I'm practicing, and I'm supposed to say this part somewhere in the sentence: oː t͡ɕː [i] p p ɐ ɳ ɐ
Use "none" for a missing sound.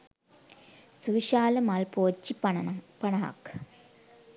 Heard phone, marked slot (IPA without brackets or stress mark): i